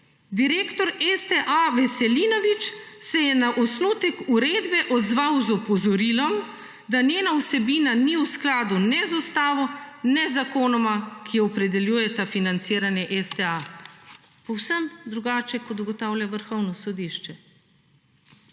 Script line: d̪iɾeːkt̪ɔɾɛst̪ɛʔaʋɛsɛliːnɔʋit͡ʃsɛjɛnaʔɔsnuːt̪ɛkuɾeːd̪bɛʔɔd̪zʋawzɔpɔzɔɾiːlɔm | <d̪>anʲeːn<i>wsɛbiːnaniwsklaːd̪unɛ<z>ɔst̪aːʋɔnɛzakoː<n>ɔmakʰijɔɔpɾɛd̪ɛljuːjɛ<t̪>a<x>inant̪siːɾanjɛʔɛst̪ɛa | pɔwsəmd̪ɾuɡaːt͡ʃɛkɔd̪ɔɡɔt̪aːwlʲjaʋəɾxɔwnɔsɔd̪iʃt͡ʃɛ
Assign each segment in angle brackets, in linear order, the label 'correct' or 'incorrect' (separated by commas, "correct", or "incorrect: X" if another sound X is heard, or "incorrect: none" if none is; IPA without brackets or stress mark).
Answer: correct, incorrect: a, correct, correct, correct, incorrect: f